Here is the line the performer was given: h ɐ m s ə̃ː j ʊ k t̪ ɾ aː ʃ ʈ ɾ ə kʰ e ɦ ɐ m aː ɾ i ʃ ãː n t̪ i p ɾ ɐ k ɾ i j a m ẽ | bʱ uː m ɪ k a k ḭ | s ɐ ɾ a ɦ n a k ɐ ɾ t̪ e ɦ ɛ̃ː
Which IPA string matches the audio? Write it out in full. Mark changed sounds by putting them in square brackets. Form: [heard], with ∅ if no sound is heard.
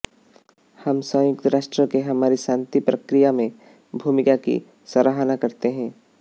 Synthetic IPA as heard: h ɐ m s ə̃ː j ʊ k t̪ ɾ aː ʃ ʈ ɾ ə [k] e ɦ ɐ m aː ɾ i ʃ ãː n t̪ i p ɾ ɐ k ɾ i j a m ẽ | bʱ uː m ɪ k a k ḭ | s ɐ ɾ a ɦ n a k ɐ ɾ t̪ e ɦ ɛ̃ː